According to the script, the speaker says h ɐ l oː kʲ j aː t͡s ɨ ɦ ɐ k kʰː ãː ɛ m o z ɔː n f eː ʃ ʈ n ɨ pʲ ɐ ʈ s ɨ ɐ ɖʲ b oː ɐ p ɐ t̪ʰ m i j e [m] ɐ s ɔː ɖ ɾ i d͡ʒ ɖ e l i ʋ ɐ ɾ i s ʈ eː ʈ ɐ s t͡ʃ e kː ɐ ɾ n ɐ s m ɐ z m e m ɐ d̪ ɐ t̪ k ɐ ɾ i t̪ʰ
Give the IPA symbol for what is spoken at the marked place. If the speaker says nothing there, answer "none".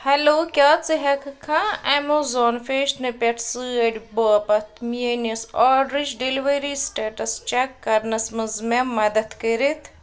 n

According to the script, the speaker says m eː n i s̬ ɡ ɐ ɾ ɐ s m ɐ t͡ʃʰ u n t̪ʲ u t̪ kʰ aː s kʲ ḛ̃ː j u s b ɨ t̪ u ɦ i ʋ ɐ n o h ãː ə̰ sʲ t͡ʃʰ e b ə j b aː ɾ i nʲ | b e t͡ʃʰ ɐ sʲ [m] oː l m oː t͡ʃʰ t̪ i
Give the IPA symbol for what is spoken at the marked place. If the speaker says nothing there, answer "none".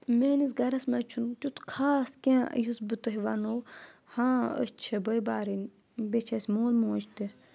m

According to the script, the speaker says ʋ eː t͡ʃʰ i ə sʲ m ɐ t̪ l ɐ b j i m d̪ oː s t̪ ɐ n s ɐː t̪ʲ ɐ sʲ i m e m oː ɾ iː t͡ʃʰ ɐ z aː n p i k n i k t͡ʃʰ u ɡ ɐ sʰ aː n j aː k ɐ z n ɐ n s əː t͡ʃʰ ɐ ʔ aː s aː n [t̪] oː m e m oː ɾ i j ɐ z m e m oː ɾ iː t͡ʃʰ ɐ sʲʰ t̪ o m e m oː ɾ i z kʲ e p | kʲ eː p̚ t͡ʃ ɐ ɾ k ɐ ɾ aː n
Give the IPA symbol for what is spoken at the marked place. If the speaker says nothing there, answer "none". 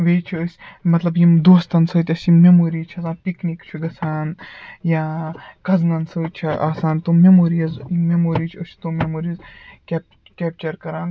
t̪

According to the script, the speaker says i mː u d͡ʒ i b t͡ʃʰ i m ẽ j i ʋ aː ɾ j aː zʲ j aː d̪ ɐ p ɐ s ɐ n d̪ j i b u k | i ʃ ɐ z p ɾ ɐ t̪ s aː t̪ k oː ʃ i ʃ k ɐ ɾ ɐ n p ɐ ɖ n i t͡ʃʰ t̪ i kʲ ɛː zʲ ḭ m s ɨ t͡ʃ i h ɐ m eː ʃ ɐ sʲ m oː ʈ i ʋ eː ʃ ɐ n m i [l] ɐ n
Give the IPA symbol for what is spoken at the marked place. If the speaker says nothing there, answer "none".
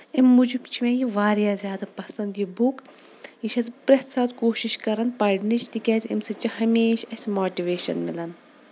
l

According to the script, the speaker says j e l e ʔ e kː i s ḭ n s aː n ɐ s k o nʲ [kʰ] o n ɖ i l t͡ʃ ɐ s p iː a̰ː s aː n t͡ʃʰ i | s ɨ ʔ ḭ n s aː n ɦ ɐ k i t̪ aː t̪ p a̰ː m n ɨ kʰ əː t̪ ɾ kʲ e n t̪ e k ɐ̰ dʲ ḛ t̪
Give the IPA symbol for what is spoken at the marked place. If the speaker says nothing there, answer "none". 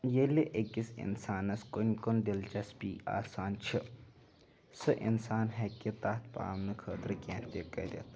k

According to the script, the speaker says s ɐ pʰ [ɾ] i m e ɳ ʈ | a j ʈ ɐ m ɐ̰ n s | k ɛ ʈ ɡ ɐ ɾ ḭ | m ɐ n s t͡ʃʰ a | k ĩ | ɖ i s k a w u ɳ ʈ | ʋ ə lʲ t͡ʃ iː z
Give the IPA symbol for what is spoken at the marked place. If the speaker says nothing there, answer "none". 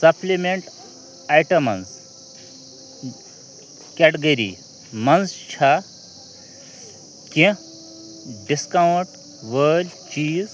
l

